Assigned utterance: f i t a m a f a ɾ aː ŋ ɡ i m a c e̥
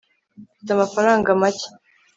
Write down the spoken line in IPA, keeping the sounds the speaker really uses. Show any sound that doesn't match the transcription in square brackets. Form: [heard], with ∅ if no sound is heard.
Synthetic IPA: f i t a m a f a ɾ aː ŋ ɡ [a] m a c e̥

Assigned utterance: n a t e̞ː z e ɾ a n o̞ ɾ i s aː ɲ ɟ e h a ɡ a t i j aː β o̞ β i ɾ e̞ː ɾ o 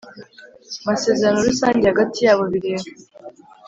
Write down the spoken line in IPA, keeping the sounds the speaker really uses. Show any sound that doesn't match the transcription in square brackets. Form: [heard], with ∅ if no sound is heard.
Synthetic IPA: [m] a [s] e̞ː z e ɾ a n o̞ ɾ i s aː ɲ ɟ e h a ɡ a t i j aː β o̞ β i ɾ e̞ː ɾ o

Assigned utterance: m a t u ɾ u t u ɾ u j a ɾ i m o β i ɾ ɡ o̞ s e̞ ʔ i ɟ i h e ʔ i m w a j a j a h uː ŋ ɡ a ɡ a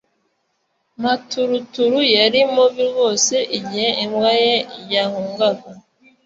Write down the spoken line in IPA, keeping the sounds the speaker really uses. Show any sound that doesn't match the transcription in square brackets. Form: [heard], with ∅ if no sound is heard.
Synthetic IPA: m a t u ɾ u t u ɾ u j a ɾ i m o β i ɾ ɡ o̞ s e̞ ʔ i ɟ i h e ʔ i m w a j [e] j a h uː ŋ ɡ a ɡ a

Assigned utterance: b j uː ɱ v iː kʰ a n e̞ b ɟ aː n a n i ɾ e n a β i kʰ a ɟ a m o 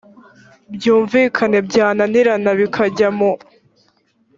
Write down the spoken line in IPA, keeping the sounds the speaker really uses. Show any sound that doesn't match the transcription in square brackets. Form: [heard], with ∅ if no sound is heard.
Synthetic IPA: b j uː ɱ v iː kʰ a n e̞ b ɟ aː n a n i ɾ [a] n a β i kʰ a ɟ a m o

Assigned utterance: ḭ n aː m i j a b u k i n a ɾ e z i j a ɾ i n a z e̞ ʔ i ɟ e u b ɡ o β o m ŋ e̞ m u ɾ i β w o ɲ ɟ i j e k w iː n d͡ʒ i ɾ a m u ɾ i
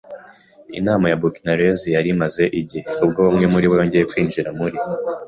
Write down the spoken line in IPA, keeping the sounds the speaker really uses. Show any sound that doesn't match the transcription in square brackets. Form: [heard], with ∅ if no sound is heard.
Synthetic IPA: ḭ n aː m [a] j a b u k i n a ɾ e z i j a ɾ i [m] a z e̞ ʔ i ɟ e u b ɡ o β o m ŋ e̞ m u ɾ i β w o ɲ ɟ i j e k w iː n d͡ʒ i ɾ a m u ɾ i

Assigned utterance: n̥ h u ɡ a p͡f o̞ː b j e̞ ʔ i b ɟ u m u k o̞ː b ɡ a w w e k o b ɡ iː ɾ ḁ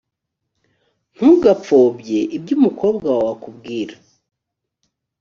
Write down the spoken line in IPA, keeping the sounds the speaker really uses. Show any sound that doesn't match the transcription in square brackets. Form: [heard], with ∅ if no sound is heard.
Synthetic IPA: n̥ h u ɡ a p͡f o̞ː b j e̞ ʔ i b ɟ u m u k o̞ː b ɡ a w w [a] k [u] b ɡ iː ɾ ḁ

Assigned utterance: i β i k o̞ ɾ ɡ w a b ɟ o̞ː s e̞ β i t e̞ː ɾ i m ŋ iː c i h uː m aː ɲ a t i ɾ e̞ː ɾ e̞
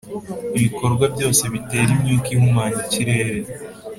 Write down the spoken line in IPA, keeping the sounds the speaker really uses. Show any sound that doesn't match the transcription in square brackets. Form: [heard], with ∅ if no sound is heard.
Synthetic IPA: i β i k o̞ ɾ ɡ w a b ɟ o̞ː s e̞ β i t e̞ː ɾ i m [ɲ] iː [k] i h [u] m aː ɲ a [c] i ɾ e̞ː ɾ e̞

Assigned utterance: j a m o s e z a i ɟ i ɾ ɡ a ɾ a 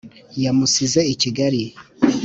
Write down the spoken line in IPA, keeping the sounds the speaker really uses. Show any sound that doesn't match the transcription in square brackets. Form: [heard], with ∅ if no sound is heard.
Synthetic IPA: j a m [u] s [i] z [e] i [c] i [∅] ɡ a ɾ [i]

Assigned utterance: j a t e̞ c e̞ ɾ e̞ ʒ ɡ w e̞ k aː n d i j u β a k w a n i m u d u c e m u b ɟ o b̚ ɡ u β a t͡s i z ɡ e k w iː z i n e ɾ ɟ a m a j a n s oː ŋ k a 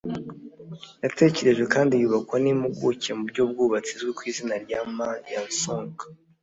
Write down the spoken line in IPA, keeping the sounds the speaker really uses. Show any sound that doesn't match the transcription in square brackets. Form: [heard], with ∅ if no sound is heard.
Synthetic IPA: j a t e̞ c e̞ ɾ e̞ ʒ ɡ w e̞ k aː n d i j u β a k w a n i m u [ɡ] u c e m u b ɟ o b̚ ɡ u β a t͡s i z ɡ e k w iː z i n [a] ɾ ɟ a m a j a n s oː ŋ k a

